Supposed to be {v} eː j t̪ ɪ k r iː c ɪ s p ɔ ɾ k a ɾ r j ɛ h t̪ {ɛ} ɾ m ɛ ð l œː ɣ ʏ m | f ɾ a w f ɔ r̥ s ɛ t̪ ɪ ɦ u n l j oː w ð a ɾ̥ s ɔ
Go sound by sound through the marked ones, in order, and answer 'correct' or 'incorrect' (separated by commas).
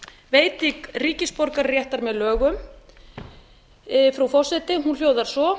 correct, incorrect